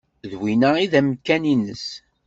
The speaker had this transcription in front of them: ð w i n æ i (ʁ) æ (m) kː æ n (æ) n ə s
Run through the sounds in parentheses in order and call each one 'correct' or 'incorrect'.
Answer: incorrect, correct, incorrect

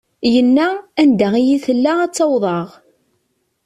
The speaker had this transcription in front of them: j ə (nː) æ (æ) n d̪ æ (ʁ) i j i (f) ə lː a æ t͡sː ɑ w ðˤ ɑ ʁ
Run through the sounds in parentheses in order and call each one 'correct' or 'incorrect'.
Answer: correct, correct, correct, incorrect

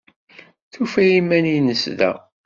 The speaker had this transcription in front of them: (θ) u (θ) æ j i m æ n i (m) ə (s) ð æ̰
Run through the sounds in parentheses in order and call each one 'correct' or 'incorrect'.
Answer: correct, incorrect, incorrect, correct

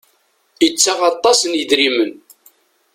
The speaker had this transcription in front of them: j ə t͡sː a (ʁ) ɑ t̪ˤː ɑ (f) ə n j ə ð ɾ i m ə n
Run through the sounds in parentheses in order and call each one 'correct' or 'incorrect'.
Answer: correct, incorrect

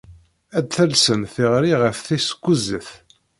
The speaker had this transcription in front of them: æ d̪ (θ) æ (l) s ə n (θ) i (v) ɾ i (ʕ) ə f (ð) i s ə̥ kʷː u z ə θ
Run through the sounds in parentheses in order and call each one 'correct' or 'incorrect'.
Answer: correct, correct, correct, incorrect, incorrect, incorrect

